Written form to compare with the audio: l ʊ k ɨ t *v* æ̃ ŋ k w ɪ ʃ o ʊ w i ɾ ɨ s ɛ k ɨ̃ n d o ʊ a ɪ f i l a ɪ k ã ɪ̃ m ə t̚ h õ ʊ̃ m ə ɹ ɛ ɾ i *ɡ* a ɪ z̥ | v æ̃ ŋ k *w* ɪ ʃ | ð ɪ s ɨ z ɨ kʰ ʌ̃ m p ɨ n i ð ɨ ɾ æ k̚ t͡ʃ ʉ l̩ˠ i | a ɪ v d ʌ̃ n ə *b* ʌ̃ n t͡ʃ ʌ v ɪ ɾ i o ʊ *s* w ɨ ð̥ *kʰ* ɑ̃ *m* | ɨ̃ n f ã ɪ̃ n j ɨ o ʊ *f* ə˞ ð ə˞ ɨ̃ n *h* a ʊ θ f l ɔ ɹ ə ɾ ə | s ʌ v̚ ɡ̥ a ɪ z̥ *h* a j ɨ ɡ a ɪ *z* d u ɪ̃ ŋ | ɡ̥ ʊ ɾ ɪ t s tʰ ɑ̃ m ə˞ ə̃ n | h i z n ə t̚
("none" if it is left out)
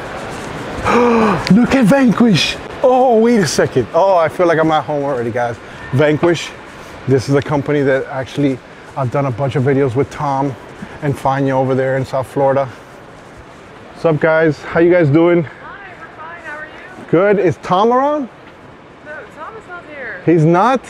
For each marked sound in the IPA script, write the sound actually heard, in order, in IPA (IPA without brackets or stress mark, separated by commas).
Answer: v, ɡ, w, b, z, tʰ, m, v, s, h, z